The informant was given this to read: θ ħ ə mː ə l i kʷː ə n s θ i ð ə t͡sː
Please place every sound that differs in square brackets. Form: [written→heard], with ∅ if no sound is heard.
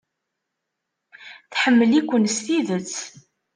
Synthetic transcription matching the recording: θ ħ ə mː ə l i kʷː ə n s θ i ð ə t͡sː